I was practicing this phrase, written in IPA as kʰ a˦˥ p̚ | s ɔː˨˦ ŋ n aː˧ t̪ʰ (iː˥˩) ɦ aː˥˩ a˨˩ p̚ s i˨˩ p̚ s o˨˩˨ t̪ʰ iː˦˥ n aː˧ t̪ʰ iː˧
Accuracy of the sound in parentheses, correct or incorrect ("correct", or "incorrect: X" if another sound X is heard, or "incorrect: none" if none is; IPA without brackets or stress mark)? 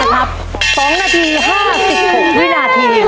incorrect: iː˧